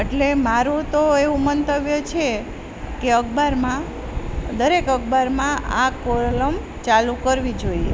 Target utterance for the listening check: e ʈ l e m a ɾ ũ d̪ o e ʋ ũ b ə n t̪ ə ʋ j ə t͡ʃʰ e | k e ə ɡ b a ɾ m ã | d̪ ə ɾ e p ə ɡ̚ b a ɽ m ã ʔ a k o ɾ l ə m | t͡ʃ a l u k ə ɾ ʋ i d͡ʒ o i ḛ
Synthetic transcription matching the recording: e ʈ l e m a ɾ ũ t̪ o e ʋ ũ m ə n t̪ ə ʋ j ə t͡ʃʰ e | k e ə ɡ b a ɾ m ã | d̪ ə ɾ e k ə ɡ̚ b a ɾ m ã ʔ a k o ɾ l ə m | t͡ʃ a l u k ə ɾ ʋ i d͡ʒ o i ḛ